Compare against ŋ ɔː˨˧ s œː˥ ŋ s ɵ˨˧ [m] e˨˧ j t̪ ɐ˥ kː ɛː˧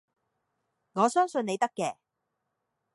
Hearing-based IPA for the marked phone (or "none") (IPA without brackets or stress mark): n